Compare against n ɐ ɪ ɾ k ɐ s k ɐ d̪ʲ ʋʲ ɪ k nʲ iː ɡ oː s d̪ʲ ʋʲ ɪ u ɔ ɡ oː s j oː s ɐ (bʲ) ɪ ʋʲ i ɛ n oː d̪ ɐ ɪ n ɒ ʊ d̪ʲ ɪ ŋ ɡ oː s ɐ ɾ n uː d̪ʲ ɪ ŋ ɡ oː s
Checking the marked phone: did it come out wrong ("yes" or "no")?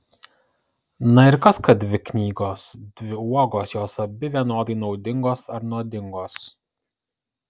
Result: no